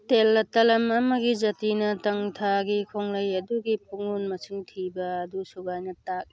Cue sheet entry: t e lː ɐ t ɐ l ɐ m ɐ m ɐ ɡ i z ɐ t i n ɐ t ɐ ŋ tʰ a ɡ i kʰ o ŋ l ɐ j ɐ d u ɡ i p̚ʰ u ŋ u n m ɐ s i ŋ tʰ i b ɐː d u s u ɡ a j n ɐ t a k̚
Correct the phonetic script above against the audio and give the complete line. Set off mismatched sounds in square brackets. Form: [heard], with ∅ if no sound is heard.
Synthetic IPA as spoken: t e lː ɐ t ɐ l ɐ m ɐ m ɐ ɡ i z ɐ t i n ɐ t ɐ ŋ tʰ a ɡ i kʰ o ŋ l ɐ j ɐ d u ɡ i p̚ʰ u ŋ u n m ɐ s i ŋ tʰ i b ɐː d u s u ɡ a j n ɐ t a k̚